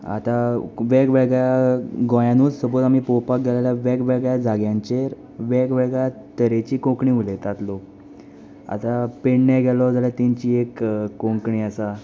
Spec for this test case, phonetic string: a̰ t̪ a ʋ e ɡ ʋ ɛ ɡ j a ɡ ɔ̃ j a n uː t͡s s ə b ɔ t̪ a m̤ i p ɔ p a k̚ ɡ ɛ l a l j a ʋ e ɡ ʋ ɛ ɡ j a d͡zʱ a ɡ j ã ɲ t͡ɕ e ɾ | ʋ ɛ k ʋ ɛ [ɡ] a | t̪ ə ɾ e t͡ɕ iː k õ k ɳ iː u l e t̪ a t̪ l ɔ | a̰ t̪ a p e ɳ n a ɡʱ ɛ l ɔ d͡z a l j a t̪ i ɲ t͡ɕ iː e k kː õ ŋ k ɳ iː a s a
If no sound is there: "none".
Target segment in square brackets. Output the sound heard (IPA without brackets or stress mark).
ɡ